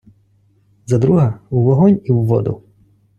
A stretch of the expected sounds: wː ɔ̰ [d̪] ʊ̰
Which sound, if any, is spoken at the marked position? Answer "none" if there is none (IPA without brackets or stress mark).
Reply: d̪